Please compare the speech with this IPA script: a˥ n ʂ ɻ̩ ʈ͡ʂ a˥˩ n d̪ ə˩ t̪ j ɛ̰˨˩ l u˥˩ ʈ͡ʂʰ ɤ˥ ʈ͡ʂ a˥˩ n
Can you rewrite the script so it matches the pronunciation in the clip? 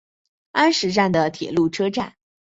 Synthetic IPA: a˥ n ʂ ɻ̩ ʈ͡ʂ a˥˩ n d̪ ə˩ t̪ʰ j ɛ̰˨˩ l u˥˩ ʈ͡ʂʰ ɤ˥ ʈ͡ʂ a˥˩ n